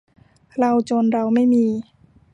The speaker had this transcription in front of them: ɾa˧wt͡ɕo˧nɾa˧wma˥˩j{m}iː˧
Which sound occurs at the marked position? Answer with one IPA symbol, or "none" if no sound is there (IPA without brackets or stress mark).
m